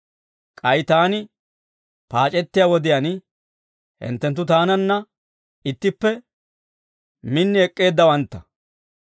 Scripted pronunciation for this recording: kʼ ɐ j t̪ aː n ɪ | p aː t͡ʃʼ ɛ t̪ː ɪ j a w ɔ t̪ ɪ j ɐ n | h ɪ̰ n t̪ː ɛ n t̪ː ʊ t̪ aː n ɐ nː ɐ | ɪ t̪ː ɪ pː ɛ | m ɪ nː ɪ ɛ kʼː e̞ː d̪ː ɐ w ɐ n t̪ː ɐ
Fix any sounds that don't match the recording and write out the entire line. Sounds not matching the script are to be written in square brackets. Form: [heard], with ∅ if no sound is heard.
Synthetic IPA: kʼ ɐ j t̪ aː n ɪ | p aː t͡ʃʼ ɛ t̪ː ɪ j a w ɔ [d̪] ɪ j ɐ n | h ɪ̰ n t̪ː ɛ n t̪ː ʊ t̪ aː n ɐ nː ɐ | ɪ t̪ː ɪ pː ɛ | m ɪ nː ɪ ɛ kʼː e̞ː d̪ː ɐ w ɐ n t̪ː ɐ